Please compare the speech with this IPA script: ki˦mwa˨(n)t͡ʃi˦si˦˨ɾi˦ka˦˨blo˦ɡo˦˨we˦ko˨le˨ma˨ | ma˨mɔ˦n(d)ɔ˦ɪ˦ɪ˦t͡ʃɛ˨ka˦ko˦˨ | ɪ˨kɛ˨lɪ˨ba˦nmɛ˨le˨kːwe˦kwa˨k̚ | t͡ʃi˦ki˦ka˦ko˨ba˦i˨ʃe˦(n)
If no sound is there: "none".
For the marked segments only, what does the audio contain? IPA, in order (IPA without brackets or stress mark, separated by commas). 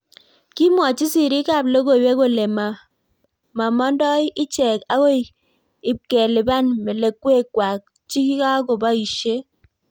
none, d, none